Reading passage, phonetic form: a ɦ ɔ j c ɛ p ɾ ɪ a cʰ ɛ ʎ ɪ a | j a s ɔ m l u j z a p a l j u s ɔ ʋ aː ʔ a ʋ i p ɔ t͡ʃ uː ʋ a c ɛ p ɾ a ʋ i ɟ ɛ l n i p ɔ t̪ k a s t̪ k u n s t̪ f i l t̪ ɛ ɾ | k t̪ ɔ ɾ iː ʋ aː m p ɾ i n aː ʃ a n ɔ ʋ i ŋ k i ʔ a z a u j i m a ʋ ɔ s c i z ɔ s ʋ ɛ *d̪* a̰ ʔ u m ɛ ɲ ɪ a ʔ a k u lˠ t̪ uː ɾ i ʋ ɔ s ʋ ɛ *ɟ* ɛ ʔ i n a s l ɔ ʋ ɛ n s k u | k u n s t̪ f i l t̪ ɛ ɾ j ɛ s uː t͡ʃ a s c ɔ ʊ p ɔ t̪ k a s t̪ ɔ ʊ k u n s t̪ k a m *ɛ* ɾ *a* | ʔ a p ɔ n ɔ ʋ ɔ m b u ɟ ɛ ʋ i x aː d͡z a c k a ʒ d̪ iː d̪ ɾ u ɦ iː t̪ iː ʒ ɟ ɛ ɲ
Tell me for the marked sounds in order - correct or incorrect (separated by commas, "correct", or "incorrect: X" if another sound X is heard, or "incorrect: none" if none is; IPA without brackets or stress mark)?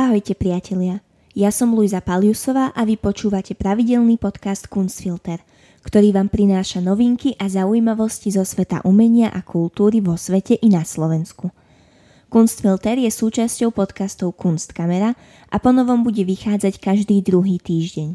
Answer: incorrect: t̪, incorrect: c, correct, correct